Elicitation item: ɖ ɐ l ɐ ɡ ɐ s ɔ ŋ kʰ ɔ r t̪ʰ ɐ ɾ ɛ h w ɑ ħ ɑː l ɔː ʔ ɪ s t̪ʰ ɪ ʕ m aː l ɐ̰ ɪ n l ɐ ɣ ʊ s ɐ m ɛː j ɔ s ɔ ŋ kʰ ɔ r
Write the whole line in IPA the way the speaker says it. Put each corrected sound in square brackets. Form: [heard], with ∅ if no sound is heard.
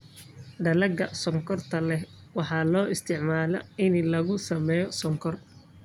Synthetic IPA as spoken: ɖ ɐ l ɐ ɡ ɐ s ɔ ŋ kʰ ɔ r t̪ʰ ɐ [l] ɛ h w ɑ ħ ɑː l ɔː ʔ ɪ s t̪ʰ ɪ ʕ m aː l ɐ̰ ɪ n l ɐ ɣ ʊ s ɐ m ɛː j ɔ s ɔ ŋ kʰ ɔ r